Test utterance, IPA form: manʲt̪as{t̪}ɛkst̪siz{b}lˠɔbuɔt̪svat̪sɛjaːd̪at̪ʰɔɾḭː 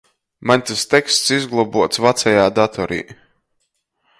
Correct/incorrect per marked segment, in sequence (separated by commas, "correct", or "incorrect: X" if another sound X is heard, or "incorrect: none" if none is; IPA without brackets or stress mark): correct, incorrect: ɡ